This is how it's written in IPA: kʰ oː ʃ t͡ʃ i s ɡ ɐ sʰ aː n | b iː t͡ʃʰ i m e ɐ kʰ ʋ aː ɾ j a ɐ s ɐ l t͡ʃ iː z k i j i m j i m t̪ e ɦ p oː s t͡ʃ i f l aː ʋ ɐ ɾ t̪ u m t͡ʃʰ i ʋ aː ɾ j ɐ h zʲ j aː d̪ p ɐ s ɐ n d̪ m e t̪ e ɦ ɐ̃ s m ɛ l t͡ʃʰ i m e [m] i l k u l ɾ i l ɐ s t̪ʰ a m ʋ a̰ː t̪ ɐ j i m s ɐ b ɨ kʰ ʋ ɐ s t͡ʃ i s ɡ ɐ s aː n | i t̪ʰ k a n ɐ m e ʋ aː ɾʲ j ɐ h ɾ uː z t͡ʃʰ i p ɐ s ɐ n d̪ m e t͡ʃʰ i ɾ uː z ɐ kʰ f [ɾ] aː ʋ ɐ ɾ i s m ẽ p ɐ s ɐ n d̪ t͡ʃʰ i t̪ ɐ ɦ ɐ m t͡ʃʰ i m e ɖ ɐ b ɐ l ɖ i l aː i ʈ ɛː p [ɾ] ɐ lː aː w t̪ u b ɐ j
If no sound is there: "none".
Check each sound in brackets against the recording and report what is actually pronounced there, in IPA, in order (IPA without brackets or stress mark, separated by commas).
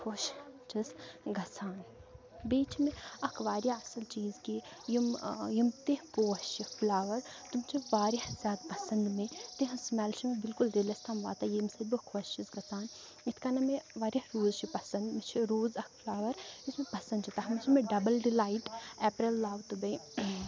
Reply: b, l, ɾ